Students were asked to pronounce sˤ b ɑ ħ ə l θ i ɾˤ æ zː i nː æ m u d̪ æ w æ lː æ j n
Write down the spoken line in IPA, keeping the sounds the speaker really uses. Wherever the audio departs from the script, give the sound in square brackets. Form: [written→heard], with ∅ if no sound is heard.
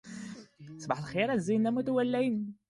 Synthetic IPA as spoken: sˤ b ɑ ħ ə l [θ→x] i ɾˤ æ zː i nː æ m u [d̪→t̪] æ w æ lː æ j n